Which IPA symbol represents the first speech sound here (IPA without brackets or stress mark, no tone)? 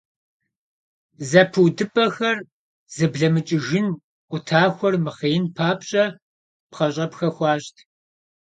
z